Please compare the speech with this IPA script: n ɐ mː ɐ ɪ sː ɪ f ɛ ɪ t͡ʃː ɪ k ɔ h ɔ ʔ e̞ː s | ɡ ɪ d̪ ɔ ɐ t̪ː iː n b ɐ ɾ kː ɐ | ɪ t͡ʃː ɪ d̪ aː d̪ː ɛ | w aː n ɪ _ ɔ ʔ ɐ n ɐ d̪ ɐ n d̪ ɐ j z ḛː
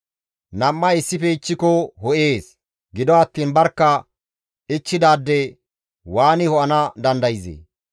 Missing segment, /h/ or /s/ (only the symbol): h